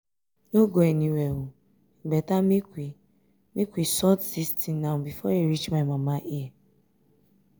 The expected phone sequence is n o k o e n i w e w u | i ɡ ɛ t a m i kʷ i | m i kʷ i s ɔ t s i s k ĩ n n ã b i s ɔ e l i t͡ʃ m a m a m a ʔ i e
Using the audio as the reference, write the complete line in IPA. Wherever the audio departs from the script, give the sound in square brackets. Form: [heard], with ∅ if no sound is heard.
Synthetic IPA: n o [ɡ] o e n i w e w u | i [ɡ͡b] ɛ t a m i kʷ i | m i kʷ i s ɔ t s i s [t] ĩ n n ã b i [f] ɔ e [ɾ] i t͡ʃ m a m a m a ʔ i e